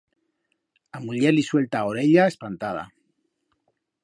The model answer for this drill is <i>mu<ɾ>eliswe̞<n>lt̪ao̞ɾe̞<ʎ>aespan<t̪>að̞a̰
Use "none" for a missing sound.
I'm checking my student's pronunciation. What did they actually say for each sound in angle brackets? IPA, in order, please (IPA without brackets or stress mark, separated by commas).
a, ʎ, none, ʎ, t̪